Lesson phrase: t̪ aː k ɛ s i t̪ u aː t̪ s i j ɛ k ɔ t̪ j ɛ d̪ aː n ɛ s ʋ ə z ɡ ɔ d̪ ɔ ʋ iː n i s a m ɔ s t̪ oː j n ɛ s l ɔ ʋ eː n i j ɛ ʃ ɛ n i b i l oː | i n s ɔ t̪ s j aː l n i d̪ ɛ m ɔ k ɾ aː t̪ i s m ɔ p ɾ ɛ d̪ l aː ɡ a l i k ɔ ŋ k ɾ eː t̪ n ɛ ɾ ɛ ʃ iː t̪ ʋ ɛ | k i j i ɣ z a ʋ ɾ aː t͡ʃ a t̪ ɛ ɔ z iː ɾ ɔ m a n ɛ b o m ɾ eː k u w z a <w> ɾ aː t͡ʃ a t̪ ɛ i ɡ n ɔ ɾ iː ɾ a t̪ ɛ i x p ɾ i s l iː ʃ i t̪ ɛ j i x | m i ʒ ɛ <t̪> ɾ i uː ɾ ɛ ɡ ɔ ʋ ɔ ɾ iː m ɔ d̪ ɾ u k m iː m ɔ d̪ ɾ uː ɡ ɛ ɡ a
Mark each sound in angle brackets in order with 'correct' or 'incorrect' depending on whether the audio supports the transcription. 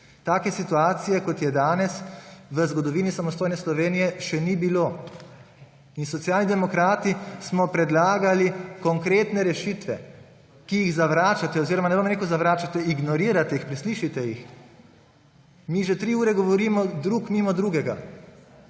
incorrect: ʋ, correct

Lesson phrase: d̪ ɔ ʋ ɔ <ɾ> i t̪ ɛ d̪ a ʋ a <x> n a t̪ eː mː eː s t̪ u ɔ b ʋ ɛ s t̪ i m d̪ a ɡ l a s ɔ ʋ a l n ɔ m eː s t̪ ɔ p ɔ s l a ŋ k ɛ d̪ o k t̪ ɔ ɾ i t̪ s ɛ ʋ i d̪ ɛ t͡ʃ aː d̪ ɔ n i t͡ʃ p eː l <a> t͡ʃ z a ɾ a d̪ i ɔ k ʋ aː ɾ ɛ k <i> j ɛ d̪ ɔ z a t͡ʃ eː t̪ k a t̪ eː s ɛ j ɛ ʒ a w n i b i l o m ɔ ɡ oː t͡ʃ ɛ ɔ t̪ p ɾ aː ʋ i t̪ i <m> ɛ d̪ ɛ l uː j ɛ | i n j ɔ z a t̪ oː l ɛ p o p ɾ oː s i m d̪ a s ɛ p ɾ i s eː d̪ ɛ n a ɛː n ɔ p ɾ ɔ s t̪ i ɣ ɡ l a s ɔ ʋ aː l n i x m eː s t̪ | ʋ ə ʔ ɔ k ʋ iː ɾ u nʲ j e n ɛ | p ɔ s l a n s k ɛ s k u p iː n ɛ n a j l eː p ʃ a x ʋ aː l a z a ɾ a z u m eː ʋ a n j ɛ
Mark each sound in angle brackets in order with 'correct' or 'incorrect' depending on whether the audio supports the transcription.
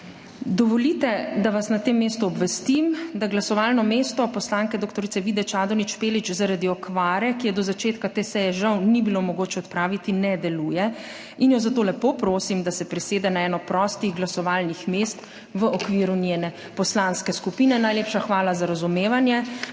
incorrect: l, incorrect: s, incorrect: i, correct, incorrect: n

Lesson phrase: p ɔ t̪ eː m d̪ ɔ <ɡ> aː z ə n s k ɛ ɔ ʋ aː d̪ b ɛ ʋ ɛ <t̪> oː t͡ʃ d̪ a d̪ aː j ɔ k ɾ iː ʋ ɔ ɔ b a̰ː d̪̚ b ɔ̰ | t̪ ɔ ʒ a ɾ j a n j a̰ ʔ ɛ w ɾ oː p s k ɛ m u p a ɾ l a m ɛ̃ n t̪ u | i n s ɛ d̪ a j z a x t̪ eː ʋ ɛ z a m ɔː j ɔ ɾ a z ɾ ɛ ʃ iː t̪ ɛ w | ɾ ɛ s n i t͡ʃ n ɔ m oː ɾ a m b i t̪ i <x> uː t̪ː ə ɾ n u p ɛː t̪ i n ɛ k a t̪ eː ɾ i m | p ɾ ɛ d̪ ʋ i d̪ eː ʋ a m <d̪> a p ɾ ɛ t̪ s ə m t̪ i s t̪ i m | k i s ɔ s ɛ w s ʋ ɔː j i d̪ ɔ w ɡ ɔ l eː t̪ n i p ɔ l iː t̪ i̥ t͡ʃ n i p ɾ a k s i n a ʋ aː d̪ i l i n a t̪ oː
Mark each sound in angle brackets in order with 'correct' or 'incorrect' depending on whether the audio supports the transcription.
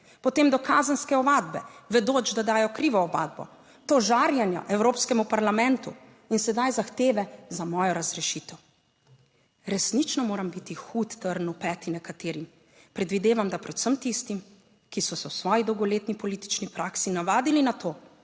incorrect: k, incorrect: d̪, correct, correct

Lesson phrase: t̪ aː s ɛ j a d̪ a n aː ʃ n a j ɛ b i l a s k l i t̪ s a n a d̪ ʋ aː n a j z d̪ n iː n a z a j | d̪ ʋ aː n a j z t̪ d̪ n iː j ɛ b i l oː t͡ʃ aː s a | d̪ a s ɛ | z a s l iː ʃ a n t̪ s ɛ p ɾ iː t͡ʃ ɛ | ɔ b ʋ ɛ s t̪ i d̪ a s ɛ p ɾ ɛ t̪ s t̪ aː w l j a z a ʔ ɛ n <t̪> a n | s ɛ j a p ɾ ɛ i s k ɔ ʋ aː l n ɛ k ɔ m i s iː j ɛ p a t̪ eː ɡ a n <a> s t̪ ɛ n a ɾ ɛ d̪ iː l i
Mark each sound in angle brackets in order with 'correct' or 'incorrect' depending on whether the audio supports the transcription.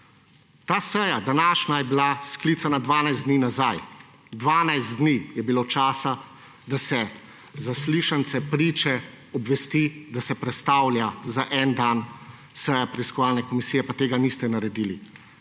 incorrect: d̪, incorrect: i

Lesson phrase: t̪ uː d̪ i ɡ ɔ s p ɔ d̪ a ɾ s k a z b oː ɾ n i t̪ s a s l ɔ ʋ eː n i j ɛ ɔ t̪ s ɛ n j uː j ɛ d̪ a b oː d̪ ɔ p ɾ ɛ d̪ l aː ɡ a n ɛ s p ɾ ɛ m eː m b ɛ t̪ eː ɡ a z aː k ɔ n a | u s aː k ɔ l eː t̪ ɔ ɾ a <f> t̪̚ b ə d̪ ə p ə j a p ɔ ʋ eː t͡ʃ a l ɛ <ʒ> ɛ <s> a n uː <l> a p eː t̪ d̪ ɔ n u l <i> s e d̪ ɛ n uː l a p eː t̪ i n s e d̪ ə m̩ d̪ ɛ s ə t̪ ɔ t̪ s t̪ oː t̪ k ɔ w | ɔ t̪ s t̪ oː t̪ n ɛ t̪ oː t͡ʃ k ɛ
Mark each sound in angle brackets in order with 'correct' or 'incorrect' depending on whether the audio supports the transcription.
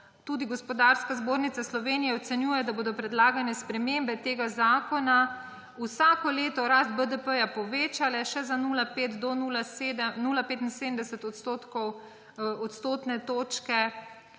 incorrect: s, incorrect: ʃ, incorrect: z, correct, incorrect: a

